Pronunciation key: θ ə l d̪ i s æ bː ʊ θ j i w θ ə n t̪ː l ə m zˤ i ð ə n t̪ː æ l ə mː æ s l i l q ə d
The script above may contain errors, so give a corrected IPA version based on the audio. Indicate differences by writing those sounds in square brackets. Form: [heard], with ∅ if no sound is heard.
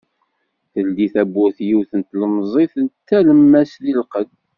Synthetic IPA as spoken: θ ə l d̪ i [θ] æ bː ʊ θ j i w θ ə n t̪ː l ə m zˤ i [θ] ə n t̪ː æ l ə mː æ s l i l q ə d